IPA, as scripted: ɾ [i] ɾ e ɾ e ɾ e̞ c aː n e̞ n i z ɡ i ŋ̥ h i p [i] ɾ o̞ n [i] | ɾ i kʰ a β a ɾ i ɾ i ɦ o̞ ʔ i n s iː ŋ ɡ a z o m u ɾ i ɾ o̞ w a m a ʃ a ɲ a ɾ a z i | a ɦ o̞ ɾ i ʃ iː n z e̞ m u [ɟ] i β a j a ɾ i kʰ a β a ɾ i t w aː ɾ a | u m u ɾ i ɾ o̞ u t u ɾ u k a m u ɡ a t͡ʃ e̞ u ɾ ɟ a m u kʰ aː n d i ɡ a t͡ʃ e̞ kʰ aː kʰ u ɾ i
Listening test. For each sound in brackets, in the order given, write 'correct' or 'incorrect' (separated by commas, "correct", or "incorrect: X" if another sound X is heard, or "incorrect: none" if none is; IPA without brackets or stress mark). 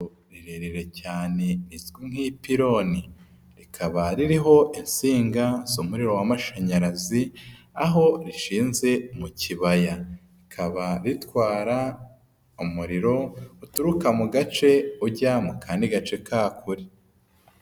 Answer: correct, correct, correct, incorrect: c